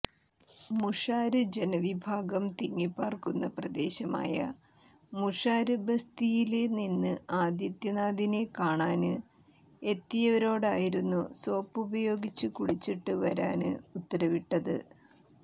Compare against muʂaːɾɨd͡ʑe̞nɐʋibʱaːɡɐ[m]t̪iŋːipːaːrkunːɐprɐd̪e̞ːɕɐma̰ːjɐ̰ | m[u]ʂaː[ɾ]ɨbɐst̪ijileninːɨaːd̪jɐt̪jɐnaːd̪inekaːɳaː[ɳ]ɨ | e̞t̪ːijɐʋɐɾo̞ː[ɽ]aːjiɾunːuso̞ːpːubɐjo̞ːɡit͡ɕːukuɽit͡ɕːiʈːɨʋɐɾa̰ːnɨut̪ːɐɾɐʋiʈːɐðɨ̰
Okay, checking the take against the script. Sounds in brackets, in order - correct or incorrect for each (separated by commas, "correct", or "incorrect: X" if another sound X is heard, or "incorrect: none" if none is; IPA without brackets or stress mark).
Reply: correct, correct, correct, incorrect: n, correct